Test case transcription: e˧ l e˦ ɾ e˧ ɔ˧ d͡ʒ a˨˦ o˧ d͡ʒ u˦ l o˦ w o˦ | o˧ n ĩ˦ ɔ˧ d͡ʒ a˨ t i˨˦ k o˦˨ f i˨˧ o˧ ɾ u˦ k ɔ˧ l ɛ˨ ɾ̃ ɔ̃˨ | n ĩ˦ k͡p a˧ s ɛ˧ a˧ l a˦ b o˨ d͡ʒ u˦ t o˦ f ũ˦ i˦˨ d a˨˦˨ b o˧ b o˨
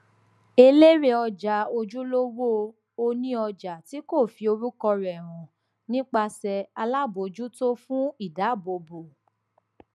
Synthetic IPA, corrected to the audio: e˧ l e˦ ɾ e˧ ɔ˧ d͡ʒ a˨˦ o˧ d͡ʒ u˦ l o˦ w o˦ | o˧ n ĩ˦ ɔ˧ d͡ʒ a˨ t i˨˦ k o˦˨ f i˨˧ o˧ ɾ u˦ k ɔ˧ ɾ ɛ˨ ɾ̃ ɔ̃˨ | n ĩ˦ k͡p a˧ s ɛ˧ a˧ l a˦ b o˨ d͡ʒ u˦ t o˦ f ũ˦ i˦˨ d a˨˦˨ b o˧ b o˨